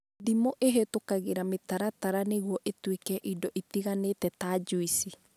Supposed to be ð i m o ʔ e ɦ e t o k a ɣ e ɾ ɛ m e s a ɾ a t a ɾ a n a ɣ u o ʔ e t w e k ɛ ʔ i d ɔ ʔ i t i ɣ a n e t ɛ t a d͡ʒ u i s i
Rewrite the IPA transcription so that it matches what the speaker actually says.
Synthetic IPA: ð i m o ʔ e ɦ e t o k a ɣ e ɾ a m e t a ɾ a t a ɾ a n e ɣ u ɔ ʔ e t w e k ɛ ʔ i d ɔ ʔ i t i ɣ a n e t ɛ t a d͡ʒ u i s i

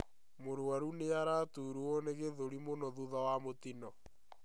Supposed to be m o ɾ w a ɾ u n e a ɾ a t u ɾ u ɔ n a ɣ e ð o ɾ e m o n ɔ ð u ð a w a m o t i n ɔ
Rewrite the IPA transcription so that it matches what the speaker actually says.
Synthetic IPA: m o ɾ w a ɾ u n e a ɾ a t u ɾ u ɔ n e ɣ e ð o ɾ i m o n ɔ ð u ð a w a m o t i n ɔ

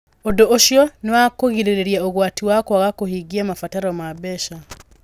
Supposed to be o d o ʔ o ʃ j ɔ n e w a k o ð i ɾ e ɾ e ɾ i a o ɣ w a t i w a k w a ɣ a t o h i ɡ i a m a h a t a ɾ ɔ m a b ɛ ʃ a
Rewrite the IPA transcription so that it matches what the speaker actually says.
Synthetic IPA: o d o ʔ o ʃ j ɔ n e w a k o ɣ i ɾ e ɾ e ɾ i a o ɣ w a t i w a k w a ɣ a k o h i ɡ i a m a f a t a ɾ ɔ m a b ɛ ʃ a

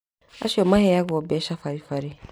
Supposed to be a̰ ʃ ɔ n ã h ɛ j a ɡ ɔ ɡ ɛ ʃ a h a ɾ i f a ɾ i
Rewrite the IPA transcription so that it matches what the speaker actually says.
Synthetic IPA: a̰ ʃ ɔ m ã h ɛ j a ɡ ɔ b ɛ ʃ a f a ɾ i f a ɾ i

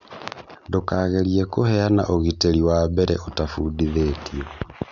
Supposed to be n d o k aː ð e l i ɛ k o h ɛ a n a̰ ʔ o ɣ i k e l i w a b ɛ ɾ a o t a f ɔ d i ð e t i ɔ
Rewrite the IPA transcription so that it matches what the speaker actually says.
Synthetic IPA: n d o k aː ɣ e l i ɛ k o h ɛ a n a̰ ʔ o ɣ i t e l i w a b ɛ ɾ ɛ o t a f u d i ð e t i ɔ

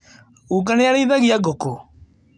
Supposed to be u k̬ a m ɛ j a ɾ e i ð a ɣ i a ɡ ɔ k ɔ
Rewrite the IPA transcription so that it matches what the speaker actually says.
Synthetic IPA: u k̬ a n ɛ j a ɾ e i ð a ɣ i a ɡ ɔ k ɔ

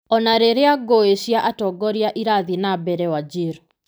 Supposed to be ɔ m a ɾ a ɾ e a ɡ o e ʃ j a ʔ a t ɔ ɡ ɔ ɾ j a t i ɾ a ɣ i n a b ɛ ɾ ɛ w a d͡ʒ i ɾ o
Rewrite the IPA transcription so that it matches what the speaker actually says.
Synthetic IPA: ɔ n a ɾ e ɾ e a ɡ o e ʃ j a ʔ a t ɔ ɡ ɔ ɾ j a ʔ i ɾ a ð i n a b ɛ ɾ ɛ w a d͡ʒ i ɾ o

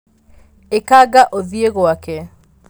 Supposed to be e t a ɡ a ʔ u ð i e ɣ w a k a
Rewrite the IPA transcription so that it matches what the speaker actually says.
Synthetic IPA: e k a ɡ a ʔ o ð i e ɣ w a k ɛ

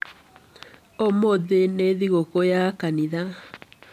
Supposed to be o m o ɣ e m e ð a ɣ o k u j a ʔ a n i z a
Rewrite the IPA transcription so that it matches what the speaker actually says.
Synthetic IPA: o m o ð e n e ð i ɣ o k o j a k a n i ð a

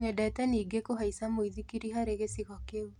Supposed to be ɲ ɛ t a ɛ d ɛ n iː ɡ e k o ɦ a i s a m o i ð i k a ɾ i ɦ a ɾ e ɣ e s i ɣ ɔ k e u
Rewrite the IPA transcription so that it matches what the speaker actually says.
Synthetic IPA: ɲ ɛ d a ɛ t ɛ n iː ɡ e k o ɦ a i s a m o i ð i k i ɾ i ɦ a ɾ e ɣ e s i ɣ ɔ k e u

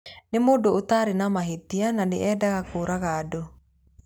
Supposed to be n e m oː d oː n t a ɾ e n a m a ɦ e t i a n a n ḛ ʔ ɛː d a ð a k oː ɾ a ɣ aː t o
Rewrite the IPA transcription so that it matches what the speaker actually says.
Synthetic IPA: n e m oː d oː t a ɾ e n a m a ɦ e t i a n a n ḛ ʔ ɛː d a ɣ a k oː ɾ a ɣ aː d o

